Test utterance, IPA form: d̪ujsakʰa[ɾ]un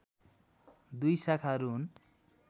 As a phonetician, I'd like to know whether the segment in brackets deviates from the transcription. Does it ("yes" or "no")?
no